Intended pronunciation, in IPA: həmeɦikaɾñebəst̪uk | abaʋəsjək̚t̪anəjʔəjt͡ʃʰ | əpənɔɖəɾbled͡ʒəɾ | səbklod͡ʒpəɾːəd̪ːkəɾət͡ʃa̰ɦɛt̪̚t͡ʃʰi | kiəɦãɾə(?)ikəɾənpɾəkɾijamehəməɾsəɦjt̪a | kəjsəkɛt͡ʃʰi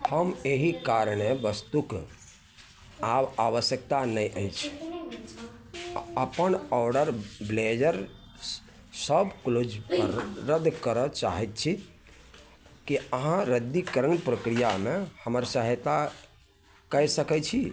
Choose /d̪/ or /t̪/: d̪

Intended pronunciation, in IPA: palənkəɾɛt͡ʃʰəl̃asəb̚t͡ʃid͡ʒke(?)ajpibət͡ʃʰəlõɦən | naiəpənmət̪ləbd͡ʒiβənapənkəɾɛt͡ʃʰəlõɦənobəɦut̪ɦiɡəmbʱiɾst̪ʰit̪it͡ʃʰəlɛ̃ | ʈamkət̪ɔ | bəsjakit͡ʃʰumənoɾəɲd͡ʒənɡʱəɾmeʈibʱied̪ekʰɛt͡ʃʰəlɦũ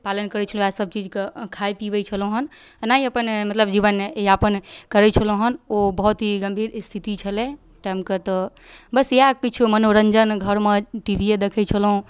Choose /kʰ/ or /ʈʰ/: kʰ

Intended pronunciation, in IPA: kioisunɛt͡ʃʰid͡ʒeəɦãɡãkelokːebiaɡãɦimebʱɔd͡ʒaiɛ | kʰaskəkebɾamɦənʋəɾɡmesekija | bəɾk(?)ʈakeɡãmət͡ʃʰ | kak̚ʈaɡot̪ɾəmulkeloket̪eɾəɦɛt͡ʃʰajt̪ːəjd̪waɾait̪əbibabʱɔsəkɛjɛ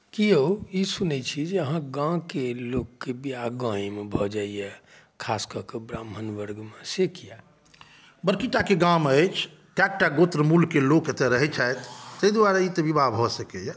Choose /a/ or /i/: i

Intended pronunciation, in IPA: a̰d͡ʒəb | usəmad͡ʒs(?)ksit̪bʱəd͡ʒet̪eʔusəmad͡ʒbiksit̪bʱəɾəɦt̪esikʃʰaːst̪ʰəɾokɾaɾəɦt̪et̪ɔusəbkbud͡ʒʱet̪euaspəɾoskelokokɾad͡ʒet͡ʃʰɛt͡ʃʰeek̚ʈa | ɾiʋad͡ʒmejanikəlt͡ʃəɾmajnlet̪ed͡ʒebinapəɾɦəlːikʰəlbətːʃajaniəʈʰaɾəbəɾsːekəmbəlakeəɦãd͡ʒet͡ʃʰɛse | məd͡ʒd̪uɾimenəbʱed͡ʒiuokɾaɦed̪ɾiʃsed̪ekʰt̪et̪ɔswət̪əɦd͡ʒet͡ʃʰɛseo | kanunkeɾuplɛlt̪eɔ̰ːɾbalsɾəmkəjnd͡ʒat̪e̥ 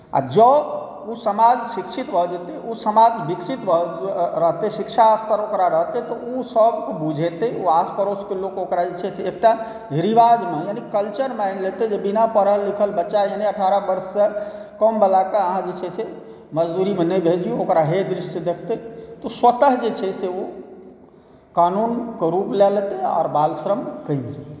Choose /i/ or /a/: i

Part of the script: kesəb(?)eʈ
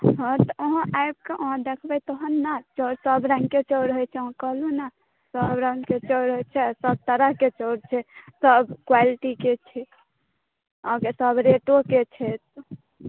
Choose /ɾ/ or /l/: ɾ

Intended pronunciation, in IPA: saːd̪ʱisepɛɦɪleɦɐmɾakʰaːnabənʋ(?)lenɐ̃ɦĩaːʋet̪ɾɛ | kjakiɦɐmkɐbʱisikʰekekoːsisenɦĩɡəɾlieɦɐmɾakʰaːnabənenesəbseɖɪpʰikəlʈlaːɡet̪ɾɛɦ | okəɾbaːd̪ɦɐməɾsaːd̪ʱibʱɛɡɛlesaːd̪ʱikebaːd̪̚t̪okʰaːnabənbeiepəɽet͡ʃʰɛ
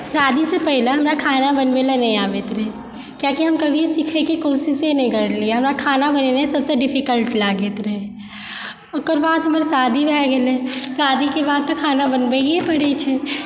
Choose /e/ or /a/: e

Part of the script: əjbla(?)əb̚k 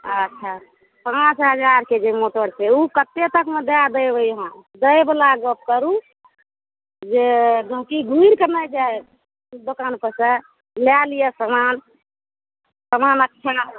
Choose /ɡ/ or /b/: ɡ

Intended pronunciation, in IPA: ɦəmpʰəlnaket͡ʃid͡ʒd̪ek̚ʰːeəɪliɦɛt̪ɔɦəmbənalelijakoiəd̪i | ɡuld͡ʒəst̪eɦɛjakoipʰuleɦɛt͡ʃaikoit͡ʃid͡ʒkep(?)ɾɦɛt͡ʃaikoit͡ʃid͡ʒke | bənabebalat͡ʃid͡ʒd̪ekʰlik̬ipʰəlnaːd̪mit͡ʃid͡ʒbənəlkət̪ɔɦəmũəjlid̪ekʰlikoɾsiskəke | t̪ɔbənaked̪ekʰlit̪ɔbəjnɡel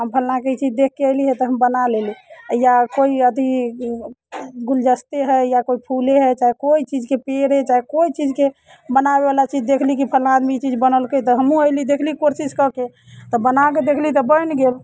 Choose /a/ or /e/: e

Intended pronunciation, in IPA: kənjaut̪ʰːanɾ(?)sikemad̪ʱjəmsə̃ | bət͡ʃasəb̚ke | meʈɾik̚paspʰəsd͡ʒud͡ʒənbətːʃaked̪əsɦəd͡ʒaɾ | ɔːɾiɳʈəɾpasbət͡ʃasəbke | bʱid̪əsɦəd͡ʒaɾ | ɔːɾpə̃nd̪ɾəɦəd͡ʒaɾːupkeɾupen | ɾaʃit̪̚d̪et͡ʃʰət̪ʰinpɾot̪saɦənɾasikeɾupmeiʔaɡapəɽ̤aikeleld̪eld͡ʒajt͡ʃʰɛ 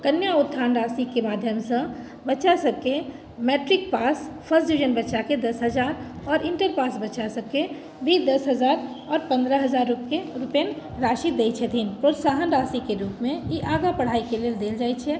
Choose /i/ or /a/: a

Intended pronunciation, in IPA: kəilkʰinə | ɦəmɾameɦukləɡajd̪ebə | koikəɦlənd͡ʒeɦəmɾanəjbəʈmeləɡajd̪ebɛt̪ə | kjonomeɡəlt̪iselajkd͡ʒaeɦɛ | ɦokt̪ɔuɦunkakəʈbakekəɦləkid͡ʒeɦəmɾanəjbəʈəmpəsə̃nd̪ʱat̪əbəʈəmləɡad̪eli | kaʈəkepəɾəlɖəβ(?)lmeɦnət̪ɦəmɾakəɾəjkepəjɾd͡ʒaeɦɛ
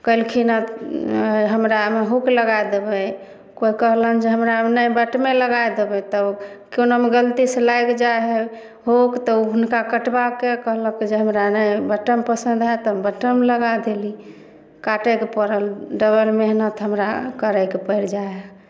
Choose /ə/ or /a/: ə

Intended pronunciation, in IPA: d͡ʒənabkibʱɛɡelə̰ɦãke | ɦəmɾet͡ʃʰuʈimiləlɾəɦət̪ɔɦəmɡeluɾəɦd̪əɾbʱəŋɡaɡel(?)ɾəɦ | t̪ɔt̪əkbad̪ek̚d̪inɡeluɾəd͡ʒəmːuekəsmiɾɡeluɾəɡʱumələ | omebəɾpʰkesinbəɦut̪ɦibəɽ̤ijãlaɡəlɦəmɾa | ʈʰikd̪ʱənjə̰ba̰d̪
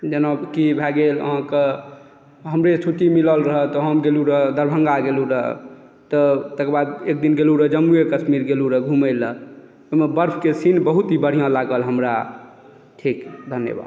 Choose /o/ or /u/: u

